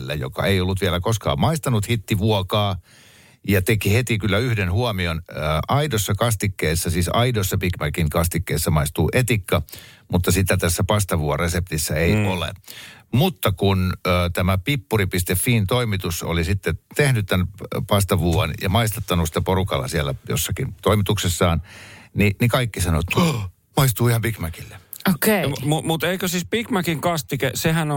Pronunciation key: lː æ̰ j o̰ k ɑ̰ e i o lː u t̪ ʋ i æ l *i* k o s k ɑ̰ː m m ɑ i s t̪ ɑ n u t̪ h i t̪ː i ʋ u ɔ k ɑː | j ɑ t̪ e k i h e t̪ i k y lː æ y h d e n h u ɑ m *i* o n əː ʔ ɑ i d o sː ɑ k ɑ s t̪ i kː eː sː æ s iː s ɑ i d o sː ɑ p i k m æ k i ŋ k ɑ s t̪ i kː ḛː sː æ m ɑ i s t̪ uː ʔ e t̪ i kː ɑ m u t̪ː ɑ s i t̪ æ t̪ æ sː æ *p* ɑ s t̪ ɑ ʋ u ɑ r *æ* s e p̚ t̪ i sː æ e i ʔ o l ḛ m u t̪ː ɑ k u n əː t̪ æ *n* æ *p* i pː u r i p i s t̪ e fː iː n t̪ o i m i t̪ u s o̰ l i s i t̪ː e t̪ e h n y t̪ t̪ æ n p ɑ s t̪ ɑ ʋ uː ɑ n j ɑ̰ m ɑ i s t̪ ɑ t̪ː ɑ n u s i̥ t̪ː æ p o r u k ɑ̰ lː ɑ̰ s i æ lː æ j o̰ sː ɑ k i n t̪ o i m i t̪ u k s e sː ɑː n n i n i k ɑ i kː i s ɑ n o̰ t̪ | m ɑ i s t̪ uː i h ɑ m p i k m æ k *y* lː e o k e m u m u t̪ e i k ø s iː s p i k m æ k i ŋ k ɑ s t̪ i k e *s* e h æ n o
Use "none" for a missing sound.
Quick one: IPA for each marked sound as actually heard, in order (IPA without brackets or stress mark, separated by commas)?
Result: æ, i, p, e, m, p, i, s